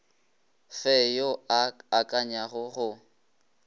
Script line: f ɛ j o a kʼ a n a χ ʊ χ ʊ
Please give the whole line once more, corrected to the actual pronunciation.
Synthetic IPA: f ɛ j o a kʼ a ɲ a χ ʊ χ ʊ